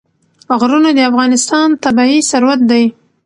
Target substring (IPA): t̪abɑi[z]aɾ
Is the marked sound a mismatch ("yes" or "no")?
yes